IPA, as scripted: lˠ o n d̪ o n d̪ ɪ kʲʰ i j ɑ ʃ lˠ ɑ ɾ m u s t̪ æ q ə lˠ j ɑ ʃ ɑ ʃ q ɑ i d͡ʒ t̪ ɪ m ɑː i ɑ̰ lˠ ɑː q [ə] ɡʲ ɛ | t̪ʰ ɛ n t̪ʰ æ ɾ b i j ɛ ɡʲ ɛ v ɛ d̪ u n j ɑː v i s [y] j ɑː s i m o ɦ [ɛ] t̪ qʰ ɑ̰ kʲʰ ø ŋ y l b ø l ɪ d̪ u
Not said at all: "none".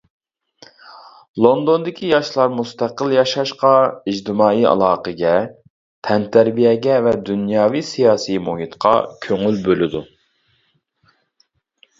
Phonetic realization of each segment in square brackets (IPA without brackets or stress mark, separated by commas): ə, i, i